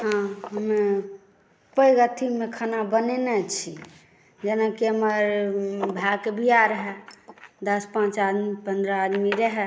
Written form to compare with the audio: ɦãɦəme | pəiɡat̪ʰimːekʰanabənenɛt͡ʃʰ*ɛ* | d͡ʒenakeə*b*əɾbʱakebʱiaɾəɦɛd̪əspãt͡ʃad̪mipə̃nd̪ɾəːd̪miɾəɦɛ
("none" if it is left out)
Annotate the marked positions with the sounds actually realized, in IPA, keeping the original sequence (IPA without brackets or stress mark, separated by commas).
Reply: i, m